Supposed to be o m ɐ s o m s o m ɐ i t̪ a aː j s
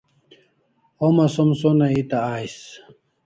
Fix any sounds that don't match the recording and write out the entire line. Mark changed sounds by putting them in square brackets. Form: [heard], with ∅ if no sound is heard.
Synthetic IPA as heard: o m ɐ s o m s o [n] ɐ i t̪ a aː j s